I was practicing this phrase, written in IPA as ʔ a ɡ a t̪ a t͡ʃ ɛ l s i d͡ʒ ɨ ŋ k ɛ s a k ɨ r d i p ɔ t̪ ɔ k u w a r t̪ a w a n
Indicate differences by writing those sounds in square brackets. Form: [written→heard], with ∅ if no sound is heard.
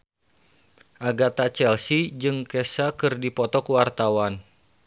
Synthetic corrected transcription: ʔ a ɡ a t̪ a t͡ʃ ɛ l s i d͡ʒ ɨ ŋ k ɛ s a k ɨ r d i p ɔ t̪ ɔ k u w a r t̪ a w a n

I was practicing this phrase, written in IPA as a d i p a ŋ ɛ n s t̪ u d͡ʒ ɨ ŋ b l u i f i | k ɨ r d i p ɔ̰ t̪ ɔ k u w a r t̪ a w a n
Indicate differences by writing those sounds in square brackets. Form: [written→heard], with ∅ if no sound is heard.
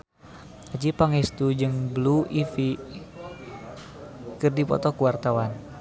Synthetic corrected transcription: a [d→d͡ʒ] i p a ŋ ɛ [n→∅] s t̪ u d͡ʒ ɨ ŋ b l u i f i | k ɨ r d i p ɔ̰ t̪ ɔ k u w a r t̪ a w a n

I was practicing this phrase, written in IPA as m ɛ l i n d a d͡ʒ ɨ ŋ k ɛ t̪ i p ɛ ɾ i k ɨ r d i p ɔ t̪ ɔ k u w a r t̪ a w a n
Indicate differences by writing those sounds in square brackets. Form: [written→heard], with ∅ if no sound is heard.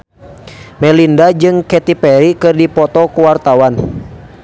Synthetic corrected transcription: m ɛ l i n d a d͡ʒ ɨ ŋ k ɛ t̪ i p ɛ ɾ i k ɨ r d i p ɔ t̪ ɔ k u w a r t̪ a w a n

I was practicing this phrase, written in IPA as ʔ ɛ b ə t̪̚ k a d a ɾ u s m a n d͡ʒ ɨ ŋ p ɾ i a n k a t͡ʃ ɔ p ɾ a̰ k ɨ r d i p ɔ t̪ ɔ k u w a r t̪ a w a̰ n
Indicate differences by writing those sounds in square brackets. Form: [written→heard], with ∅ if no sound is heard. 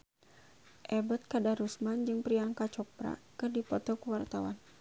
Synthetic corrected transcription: ʔ ɛ b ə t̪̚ k a d a ɾ u s m a n d͡ʒ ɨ ŋ p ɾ i a [n→ŋ] k a t͡ʃ ɔ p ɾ a̰ k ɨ r d i p ɔ t̪ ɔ k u w a r t̪ a w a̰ n

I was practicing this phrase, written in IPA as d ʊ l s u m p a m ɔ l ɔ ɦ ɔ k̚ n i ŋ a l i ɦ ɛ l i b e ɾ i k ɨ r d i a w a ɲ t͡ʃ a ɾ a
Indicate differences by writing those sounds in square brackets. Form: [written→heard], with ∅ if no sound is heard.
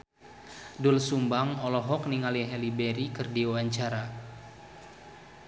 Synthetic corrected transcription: d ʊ l s u m [p→b] a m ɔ l ɔ ɦ ɔ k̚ n i ŋ a l i ɦ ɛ l i b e ɾ i k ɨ r d i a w a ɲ t͡ʃ a ɾ a

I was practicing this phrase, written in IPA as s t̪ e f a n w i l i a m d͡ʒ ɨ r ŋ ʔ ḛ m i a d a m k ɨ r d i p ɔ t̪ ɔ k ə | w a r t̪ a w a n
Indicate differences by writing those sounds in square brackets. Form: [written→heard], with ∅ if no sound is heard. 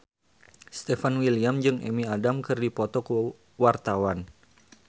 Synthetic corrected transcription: s t̪ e f a n w i l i a m d͡ʒ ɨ [r→∅] ŋ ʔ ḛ m i a d a m k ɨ r d i p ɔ t̪ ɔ k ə | w a r t̪ a w a n

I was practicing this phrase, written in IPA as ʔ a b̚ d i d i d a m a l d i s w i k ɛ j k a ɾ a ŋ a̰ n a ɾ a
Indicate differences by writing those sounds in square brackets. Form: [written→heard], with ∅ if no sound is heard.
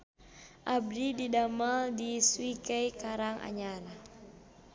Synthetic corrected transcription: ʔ a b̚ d i d i d a m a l d i s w i k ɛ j k a ɾ a ŋ a̰ [n→ɲ] a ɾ a

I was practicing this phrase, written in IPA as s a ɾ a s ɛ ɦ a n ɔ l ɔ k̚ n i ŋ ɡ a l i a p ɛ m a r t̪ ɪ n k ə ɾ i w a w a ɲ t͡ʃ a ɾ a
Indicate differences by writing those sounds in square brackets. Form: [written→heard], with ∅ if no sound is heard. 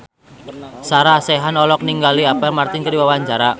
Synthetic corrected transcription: s a ɾ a s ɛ ɦ a n ɔ l ɔ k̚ n i ŋ ɡ a l i a p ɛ m a r t̪ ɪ n k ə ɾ i w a w a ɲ t͡ʃ a ɾ a

